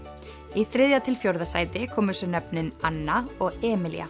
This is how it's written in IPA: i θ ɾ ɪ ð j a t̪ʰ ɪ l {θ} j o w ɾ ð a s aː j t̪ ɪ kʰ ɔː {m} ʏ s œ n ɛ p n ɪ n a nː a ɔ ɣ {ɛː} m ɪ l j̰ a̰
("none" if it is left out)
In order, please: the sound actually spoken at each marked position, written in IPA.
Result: f, m, ɛː

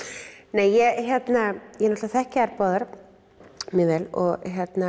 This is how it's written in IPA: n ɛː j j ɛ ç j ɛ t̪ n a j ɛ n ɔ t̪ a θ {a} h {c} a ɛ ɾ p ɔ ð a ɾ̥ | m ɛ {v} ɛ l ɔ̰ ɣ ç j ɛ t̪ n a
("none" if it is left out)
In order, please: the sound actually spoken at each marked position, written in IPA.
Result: ɛ, c, v

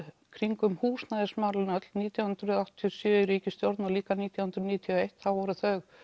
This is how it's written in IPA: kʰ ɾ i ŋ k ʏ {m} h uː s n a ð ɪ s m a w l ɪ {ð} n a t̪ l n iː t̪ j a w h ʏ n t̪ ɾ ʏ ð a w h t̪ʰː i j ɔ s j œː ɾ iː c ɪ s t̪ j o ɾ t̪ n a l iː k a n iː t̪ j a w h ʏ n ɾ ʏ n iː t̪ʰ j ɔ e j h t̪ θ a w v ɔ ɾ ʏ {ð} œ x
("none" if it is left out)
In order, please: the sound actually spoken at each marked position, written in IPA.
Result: m, none, θ

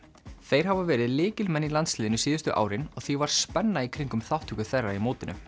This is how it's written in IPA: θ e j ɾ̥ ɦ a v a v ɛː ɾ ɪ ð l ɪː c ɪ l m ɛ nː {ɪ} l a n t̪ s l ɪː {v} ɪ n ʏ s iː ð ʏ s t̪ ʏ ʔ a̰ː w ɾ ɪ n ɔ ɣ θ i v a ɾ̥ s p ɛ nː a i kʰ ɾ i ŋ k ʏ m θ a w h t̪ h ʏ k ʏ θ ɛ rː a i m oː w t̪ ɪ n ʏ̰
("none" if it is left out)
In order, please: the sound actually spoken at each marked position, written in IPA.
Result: i, ð

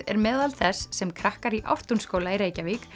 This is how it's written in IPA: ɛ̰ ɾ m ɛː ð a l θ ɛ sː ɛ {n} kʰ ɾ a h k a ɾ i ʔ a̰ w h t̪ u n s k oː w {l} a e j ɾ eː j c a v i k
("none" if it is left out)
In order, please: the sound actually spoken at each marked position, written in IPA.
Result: m, l

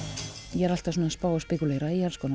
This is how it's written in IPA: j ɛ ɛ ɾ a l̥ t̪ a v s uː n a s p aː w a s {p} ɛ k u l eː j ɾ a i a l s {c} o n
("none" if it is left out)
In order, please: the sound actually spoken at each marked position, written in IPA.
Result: p, k

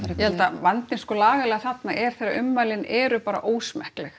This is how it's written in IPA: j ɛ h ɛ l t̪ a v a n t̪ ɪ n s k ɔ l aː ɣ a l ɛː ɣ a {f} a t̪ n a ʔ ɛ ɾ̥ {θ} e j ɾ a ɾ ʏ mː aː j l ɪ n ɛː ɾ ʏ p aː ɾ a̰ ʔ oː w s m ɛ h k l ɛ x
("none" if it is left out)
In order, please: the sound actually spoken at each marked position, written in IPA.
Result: θ, θ

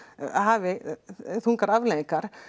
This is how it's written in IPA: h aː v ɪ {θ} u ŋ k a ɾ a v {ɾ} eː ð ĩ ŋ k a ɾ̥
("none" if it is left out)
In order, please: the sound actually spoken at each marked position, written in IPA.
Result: θ, l

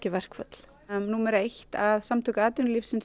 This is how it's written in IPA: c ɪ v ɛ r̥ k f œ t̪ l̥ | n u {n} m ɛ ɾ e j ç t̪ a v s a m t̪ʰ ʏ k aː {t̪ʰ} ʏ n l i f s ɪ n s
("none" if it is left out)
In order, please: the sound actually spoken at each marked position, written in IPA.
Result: none, t̪

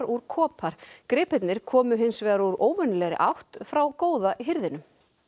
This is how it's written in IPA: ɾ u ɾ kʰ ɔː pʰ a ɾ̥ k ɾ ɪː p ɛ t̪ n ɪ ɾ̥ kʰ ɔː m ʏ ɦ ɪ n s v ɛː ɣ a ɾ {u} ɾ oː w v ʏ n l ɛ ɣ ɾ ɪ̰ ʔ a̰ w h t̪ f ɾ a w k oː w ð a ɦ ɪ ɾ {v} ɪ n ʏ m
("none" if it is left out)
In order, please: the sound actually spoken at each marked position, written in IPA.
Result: u, ð

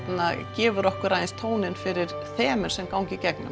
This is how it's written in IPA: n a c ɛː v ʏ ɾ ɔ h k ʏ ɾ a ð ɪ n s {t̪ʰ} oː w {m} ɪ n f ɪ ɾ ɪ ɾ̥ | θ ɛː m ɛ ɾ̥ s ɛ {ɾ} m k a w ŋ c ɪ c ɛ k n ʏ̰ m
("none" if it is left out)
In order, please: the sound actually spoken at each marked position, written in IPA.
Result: t̪ʰ, n, none

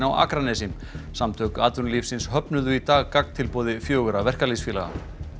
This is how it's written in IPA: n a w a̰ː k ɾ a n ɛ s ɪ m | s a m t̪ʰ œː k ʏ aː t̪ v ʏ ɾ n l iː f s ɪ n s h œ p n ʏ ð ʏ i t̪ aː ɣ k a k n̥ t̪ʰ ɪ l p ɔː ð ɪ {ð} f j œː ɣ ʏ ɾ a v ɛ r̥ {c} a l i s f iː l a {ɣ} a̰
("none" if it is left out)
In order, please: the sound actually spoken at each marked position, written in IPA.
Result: none, k, ɣ

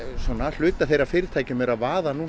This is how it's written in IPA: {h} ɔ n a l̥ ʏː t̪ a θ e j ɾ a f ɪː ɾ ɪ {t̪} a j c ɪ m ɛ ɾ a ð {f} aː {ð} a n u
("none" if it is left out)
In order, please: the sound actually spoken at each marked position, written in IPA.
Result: s, t̪ʰ, v, ð

